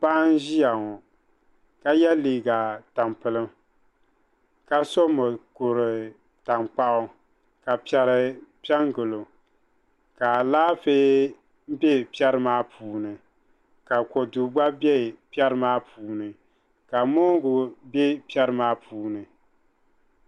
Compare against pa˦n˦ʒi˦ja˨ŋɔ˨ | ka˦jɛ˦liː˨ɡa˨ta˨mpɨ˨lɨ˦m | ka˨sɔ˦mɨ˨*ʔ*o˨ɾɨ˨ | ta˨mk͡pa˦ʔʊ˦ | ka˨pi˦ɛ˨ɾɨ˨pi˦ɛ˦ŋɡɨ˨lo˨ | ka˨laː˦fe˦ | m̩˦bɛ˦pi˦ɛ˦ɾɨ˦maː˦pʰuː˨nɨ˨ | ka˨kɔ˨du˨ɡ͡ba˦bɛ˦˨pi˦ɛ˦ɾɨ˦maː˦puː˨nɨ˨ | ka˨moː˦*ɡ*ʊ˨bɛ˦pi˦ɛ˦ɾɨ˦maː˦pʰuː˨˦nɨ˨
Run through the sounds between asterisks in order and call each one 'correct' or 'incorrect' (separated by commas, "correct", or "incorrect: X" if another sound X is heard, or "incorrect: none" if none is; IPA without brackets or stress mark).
incorrect: k, correct